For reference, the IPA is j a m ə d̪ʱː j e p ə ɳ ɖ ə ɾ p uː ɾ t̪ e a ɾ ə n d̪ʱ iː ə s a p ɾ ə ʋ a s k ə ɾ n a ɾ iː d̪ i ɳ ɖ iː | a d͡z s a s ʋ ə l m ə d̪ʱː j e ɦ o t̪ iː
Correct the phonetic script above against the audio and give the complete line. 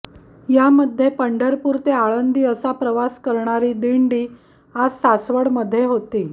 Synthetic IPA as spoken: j a m ə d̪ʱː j e p ə ɳ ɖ ə ɾ p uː ɾ t̪ e a ɭ ə n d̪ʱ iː ə s a p ɾ ə ʋ a s k ə ɾ ɳ a ɾ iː d̪ i ɳ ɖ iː | a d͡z s a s ʋ ə ɽ m ə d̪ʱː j e ɦ o t̪ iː